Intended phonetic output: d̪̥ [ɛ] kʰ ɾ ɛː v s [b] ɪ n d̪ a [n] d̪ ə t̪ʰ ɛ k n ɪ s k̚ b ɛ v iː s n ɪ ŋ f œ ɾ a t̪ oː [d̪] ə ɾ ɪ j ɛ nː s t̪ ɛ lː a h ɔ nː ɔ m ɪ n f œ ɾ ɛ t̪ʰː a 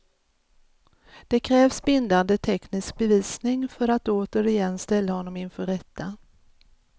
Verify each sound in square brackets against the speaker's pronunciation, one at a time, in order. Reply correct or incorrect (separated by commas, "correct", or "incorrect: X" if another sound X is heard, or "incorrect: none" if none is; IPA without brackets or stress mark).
correct, correct, correct, incorrect: t̪